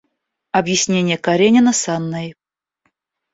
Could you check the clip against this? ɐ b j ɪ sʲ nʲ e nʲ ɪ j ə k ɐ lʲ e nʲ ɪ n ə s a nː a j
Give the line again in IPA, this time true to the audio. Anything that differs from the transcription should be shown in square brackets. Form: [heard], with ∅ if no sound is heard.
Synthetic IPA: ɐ b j ɪ sʲ nʲ e nʲ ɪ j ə k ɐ [ɾʲ] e nʲ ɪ n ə s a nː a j